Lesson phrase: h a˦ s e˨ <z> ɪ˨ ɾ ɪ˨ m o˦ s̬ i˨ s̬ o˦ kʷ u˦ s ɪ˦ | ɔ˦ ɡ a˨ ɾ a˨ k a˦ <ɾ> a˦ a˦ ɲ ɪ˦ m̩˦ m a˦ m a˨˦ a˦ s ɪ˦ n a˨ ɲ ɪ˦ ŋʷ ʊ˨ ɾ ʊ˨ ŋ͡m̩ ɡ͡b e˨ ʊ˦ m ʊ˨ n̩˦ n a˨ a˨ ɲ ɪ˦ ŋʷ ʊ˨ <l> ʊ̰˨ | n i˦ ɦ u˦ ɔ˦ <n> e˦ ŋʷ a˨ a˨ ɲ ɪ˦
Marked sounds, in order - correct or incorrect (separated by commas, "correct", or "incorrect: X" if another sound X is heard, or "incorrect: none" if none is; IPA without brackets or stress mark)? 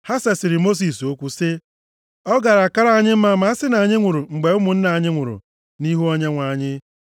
incorrect: s, correct, incorrect: ɾ, incorrect: ɲ